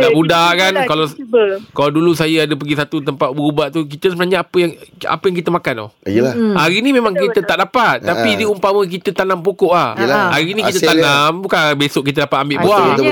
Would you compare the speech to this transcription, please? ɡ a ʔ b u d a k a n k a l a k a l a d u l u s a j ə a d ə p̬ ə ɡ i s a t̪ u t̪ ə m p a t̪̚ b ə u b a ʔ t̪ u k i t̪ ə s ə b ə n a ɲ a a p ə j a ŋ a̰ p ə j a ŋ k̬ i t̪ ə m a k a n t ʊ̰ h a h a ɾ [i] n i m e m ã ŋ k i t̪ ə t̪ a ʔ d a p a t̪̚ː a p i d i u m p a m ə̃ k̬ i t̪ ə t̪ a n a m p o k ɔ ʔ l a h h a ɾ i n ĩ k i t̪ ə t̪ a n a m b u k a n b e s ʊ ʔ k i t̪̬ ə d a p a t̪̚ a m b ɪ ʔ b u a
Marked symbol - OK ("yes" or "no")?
yes